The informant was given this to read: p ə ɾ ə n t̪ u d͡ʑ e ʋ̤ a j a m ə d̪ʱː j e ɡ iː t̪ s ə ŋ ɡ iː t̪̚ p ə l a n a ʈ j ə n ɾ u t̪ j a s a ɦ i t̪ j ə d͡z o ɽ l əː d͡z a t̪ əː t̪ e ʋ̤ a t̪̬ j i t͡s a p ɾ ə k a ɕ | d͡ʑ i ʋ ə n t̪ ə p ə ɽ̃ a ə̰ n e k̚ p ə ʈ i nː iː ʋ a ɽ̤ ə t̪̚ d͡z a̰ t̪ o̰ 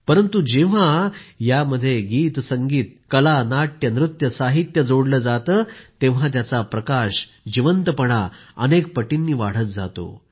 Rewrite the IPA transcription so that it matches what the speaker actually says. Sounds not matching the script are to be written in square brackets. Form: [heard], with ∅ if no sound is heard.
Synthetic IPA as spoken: p ə ɾ ə n t̪ u d͡ʑ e ʋ̤ a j a m ə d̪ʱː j e ɡ iː t̪ s ə ŋ ɡ iː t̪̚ [k] ə l a n a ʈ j ə n ɾ u t̪ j [ə] s a ɦ i t̪ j ə d͡z o ɽ l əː d͡z a t̪ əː t̪ e ʋ̤ a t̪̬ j [a] t͡s a p ɾ ə k a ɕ | d͡ʑ i ʋ ə n t̪ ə p ə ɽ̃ a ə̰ n e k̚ p ə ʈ i nː iː ʋ a ɽ̤ ə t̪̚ d͡z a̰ t̪ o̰